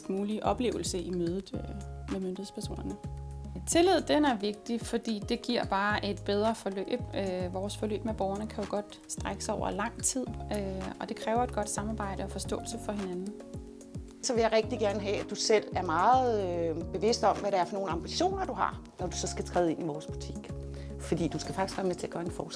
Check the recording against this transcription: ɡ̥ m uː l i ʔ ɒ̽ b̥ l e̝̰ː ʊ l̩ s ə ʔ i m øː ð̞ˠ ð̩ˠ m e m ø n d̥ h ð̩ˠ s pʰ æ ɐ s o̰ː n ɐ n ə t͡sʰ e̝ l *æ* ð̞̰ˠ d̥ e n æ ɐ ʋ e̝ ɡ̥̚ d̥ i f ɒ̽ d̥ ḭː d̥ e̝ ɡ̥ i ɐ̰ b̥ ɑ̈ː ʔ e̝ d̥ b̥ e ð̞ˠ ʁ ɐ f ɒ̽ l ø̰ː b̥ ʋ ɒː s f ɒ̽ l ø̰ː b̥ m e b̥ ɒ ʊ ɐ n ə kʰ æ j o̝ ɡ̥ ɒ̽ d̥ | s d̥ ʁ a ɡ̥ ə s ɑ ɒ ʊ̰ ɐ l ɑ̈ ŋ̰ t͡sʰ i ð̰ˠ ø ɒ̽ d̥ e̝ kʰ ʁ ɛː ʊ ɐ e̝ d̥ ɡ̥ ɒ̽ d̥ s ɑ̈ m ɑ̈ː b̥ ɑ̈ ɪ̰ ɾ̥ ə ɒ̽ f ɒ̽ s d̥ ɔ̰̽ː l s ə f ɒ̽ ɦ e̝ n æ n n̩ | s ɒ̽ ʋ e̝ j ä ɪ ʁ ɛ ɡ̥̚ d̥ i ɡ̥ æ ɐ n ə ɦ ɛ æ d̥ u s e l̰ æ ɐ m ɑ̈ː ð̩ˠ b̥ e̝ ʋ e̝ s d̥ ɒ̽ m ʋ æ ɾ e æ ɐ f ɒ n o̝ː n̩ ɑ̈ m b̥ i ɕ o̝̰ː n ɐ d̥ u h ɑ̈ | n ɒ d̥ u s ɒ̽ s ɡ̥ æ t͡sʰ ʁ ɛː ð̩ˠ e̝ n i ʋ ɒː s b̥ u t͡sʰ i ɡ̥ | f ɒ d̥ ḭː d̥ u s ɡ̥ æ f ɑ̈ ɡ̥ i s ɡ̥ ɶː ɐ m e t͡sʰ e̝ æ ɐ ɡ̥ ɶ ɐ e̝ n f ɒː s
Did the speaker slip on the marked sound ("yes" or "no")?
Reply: yes